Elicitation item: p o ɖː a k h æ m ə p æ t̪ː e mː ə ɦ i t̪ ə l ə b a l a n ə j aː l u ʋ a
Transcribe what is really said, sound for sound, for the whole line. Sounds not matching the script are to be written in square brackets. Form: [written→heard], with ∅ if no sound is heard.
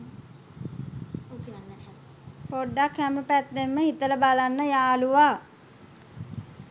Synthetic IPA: p o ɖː a k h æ m ə p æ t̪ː e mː ə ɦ i t̪ ə l ə b a l a [n→nː] ə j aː l u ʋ a